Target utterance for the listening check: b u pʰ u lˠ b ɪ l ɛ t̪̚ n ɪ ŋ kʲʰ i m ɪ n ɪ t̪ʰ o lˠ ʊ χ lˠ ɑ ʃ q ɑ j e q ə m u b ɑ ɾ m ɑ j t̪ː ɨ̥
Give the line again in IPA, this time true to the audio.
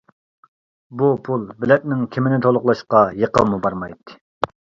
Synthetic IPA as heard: b u pʰ u lˠ b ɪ l ɛ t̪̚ n ɪ ŋ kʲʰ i m ɪ n ɪ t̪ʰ o lˠ ʊ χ lˠ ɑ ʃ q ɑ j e q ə m u b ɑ ɾ m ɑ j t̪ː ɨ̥